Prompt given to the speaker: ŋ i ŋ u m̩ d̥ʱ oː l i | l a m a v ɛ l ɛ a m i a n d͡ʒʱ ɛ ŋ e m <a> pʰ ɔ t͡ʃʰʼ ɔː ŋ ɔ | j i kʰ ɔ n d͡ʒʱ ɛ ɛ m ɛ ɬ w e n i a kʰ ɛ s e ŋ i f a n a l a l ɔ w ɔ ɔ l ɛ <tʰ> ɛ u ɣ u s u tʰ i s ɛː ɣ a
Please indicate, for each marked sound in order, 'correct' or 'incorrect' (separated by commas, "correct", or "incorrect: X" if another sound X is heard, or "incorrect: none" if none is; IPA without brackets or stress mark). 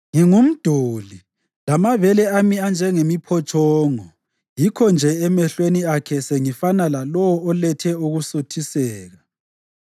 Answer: incorrect: i, correct